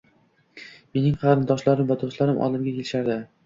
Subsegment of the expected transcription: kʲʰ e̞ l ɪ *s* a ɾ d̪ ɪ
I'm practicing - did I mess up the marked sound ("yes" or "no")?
yes